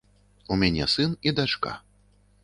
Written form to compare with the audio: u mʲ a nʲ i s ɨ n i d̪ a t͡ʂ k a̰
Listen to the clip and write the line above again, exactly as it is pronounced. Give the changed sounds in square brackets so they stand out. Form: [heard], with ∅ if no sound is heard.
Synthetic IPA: u mʲ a nʲ [ɛ] s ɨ n i d̪ a t͡ʂ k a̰